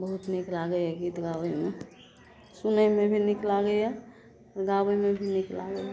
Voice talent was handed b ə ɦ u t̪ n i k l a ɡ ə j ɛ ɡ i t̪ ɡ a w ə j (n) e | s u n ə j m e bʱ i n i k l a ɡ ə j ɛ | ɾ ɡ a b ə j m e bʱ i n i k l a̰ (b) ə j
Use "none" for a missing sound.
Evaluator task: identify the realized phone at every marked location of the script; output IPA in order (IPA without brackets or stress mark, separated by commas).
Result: m, ɡ